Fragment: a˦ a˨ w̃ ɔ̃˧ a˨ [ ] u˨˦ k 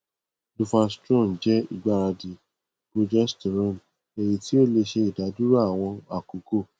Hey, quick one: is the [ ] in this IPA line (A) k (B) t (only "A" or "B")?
A